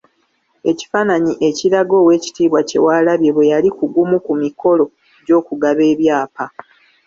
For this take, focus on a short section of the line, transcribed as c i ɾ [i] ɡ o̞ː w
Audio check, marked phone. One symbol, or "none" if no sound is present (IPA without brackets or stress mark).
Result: a